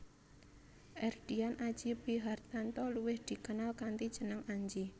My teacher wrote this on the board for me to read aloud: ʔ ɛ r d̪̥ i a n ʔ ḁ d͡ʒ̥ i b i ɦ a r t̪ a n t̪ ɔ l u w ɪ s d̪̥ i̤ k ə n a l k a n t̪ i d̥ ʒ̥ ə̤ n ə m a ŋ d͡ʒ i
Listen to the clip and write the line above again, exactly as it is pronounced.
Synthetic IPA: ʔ ɛ r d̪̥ i a n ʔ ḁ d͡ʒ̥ i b i ɦ a r t̪ a n t̪ ɔ l u w ɪ h d̪̥ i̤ k ə n a l k a n t̪ i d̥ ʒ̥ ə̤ n ə ŋ a ɲ d͡ʒ i